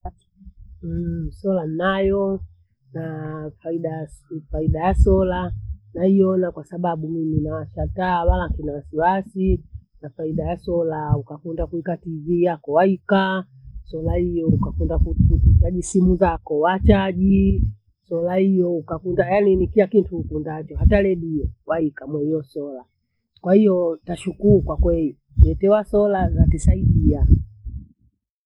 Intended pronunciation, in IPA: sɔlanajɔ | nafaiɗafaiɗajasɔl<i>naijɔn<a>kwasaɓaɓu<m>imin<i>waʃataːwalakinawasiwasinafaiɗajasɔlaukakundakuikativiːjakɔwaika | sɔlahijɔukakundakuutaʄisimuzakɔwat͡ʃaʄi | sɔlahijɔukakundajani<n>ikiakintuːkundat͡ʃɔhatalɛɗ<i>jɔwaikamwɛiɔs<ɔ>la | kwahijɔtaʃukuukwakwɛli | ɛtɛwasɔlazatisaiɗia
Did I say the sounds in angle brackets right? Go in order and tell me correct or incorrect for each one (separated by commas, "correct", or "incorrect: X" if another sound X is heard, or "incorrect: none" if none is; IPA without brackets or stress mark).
incorrect: a, correct, correct, incorrect: a, correct, correct, correct